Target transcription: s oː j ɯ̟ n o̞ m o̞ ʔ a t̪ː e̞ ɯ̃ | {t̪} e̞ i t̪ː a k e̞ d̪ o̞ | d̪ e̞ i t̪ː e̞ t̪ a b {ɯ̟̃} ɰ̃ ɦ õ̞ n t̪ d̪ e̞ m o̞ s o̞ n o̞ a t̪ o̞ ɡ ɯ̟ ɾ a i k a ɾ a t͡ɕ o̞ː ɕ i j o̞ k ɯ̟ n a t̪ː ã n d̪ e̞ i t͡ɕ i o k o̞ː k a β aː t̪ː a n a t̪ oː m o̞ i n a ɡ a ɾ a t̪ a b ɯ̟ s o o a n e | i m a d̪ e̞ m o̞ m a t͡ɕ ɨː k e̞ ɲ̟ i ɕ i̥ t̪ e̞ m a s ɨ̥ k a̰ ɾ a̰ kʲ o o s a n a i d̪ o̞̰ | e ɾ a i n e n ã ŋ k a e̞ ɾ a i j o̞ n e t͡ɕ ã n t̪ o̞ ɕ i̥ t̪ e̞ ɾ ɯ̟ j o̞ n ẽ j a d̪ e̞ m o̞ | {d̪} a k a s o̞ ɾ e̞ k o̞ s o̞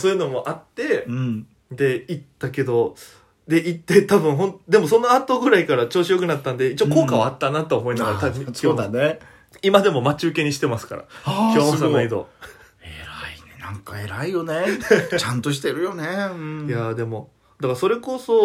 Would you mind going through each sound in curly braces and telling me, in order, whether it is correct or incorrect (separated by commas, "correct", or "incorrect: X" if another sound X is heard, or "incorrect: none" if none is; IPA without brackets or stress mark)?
incorrect: d̪, correct, correct